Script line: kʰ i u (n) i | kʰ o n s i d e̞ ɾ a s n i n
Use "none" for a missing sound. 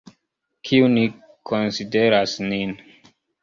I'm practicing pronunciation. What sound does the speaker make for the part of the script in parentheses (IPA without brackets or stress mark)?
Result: n